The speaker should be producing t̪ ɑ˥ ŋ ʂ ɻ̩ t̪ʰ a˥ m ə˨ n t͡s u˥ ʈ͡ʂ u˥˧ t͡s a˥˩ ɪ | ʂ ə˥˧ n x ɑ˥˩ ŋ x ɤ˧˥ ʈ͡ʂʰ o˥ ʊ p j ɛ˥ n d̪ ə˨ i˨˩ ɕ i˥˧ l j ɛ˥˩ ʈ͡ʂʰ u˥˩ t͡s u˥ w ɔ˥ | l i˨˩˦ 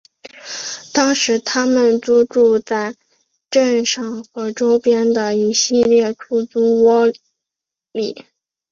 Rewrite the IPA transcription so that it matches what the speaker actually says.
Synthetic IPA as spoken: t̪ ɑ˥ ŋ ʂ ɻ̩ t̪ʰ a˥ m ə˨ n t͡s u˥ ʈ͡ʂ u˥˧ t͡s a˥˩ ɪ | ʈ͡ʂ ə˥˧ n ʂ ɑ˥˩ ŋ x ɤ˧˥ ʈ͡ʂ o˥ ʊ p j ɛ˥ n d̪ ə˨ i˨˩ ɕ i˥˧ l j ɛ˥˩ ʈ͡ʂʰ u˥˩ t͡s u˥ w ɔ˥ | l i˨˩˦

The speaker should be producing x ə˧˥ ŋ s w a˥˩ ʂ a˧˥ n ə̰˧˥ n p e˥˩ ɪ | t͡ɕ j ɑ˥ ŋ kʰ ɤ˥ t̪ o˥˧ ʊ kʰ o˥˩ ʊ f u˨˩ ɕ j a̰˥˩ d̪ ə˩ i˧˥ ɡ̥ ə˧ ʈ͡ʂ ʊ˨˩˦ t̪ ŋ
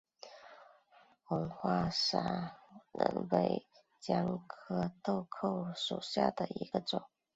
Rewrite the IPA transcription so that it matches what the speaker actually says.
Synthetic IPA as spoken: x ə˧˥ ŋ x w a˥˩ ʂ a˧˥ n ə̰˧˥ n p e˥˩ ɪ | t͡ɕ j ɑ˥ ŋ kʰ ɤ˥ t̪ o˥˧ ʊ kʰ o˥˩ ʊ ʂ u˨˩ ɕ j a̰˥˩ d̪ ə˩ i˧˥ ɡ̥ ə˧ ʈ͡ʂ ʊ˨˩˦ ŋ

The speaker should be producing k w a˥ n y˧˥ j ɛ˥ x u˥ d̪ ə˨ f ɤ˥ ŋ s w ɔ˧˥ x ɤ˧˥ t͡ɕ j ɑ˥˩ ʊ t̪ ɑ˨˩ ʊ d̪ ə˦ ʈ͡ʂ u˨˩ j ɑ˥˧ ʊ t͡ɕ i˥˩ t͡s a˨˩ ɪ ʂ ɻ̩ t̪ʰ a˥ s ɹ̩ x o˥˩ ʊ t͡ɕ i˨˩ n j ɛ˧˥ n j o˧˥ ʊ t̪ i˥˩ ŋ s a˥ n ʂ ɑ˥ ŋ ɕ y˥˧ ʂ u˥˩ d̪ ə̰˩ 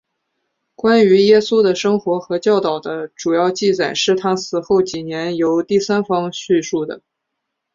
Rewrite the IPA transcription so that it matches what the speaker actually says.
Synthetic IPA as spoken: k w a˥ n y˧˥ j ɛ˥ s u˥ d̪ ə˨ ʂ ɤ˥ ŋ x w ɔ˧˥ x ɤ˧˥ t͡ɕ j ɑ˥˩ ʊ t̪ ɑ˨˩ ʊ d̪ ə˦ ʈ͡ʂ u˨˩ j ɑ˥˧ ʊ t͡ɕ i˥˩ t͡s a˨˩ ɪ ʂ ɻ̩ t̪ʰ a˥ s ɹ̩ x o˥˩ ʊ t͡ɕ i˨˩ n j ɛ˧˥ n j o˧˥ ʊ t̪ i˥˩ s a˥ n f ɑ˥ ŋ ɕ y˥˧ ʂ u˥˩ d̪ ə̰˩

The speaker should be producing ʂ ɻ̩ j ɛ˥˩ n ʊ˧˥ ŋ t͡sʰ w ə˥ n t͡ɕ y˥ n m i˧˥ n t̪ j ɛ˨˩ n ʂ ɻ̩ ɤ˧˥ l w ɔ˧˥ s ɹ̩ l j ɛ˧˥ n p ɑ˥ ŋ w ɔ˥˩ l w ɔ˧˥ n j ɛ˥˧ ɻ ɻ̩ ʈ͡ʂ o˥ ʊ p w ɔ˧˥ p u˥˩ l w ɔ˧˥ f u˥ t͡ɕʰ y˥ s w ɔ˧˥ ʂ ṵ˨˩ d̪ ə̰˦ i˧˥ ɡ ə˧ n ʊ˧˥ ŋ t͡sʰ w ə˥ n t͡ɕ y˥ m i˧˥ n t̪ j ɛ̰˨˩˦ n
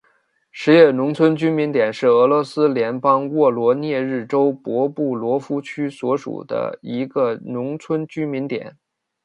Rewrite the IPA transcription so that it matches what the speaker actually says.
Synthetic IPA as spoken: ʂ ɻ̩ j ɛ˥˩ n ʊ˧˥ ŋ t͡sʰ w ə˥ n t͡ɕ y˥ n m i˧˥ n t̪ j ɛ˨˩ n ʂ ɻ̩ ɤ˧˥ l w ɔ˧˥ s ɹ̩ l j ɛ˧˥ n p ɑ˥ ŋ w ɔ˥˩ l w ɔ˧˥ n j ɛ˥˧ ɻ ɻ̩ ʈ͡ʂ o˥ ʊ p w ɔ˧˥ p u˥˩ l w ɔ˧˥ f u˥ t͡ɕʰ y˥ s w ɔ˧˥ ʂ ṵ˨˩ d̪ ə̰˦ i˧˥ ɡ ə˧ n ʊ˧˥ ŋ t͡sʰ w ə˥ n t͡ɕ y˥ m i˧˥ n t̪ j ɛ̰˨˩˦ n

